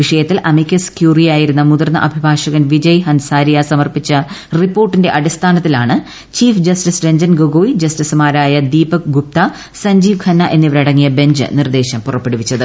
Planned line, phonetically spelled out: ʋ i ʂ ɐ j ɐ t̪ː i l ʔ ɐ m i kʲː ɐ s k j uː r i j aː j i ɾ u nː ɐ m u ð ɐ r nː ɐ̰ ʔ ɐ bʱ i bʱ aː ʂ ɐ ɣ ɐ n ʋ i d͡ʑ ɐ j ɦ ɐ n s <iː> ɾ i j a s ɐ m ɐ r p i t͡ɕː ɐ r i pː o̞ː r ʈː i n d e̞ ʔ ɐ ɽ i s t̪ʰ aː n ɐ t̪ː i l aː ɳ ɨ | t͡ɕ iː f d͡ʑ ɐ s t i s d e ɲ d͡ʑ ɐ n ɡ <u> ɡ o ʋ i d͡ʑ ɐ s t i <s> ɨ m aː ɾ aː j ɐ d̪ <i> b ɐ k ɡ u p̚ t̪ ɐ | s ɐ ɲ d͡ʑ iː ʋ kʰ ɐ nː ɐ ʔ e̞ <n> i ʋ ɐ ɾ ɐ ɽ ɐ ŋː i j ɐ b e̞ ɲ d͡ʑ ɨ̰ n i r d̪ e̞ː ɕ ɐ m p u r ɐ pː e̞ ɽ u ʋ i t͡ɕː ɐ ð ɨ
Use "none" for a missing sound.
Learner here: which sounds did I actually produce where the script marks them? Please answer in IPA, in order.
aː, o, s, iː, nː

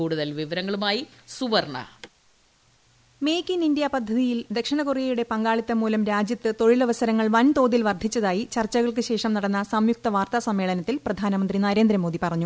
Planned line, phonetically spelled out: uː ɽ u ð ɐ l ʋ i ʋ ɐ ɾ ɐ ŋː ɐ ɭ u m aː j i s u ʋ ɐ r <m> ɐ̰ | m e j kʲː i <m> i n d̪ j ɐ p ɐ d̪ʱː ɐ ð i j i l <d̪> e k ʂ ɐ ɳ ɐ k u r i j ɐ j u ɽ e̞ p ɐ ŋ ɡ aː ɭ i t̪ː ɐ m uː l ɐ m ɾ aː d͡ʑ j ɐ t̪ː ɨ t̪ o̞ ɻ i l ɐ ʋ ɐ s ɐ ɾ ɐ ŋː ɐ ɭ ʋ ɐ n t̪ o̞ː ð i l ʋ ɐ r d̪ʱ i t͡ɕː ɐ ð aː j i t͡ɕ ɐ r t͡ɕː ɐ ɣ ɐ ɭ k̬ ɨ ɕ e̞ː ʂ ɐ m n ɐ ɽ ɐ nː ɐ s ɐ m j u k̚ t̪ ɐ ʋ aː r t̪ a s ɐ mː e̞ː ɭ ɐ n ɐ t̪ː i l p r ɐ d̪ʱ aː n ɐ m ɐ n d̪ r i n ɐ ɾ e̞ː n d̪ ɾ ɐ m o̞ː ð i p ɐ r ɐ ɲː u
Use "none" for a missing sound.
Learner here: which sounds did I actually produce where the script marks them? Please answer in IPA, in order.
ɳ, n, d̪

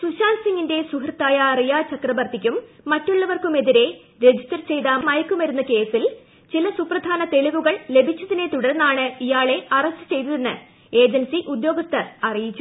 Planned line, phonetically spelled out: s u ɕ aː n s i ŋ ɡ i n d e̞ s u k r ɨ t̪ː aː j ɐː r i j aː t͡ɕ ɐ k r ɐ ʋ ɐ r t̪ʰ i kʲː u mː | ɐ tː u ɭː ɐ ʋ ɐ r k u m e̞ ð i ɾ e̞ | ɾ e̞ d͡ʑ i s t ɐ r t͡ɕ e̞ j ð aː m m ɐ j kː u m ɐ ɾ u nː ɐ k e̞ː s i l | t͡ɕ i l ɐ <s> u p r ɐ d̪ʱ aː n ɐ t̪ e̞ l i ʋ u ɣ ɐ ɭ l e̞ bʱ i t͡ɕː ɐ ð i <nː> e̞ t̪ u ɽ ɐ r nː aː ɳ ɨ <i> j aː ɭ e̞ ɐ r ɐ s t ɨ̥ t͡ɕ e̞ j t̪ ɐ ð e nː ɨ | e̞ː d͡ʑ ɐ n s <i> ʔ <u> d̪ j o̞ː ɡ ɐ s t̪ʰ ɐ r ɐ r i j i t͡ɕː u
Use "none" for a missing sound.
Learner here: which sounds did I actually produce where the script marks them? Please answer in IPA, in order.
s, n, i, i, u

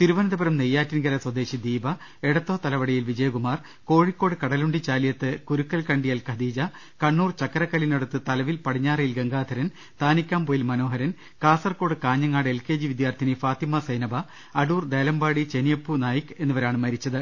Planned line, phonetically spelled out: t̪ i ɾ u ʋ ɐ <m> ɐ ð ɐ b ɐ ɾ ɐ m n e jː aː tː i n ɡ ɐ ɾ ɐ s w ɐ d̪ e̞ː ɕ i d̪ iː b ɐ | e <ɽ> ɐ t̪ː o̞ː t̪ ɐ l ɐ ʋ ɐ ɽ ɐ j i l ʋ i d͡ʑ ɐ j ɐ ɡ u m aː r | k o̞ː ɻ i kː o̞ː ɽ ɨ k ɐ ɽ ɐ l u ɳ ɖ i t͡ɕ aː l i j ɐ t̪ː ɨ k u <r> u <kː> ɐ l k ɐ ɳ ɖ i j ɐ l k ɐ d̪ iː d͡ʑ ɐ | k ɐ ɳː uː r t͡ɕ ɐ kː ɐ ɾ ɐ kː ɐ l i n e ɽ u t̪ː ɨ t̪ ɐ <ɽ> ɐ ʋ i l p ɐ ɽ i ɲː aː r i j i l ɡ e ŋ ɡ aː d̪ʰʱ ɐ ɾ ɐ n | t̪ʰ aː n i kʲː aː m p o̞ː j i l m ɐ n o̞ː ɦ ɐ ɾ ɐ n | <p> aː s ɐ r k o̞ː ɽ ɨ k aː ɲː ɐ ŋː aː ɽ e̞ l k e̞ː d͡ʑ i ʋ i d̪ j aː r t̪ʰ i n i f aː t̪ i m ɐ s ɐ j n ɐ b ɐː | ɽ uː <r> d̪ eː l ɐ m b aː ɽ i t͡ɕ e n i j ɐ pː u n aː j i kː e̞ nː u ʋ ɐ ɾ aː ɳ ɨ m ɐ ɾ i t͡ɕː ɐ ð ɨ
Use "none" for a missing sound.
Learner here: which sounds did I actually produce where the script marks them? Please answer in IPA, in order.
n, ɽ, ɾ, kː, l, k, r

